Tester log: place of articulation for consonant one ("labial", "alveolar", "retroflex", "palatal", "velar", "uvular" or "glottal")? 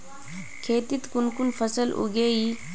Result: velar